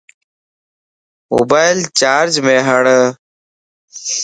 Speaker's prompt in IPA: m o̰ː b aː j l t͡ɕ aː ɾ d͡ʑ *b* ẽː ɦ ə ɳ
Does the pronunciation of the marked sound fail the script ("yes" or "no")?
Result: yes